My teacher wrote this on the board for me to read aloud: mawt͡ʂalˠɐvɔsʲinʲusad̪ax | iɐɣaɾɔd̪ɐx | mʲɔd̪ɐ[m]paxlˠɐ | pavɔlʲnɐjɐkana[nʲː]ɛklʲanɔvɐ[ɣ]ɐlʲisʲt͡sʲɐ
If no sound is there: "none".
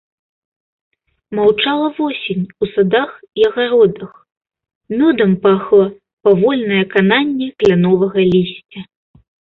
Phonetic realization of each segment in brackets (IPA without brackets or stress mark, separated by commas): m, nʲː, ɣ